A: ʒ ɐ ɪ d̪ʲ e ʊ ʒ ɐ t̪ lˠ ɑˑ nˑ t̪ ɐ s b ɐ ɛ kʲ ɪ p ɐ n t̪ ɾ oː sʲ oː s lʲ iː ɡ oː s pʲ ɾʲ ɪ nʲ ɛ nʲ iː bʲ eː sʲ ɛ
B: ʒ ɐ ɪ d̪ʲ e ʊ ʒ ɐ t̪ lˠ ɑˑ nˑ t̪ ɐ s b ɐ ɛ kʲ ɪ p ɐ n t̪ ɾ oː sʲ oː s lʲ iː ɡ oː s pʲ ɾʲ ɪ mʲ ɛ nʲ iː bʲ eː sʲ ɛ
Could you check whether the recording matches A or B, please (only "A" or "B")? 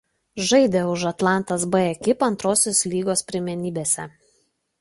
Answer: B